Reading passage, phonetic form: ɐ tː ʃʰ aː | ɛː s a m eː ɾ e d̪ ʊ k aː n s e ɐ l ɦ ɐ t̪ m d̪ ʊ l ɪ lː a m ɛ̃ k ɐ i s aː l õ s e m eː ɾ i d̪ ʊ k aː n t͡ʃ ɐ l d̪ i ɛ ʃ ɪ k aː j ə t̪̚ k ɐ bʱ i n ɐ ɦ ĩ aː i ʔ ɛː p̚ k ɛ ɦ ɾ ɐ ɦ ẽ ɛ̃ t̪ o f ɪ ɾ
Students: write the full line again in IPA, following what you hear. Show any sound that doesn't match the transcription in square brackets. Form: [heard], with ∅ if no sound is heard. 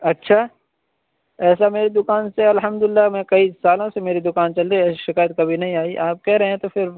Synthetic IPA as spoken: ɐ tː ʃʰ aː | ɛː s a m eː ɾ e d̪ ʊ k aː n s e ɐ l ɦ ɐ [∅] m d̪ ʊ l ɪ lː a m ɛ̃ k ɐ i s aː l õ s e m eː ɾ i d̪ ʊ k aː n t͡ʃ ɐ l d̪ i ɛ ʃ ɪ k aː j ə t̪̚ k ɐ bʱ i n ɐ ɦ ĩ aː i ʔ [aː] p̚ k ɛ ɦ ɾ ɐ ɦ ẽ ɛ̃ t̪ o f ɪ ɾ